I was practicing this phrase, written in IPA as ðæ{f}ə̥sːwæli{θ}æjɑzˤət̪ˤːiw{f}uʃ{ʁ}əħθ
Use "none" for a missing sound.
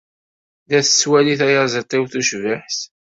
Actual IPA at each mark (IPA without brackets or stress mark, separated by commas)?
θ, θ, θ, v